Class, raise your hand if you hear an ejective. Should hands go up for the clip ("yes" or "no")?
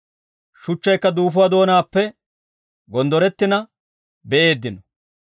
no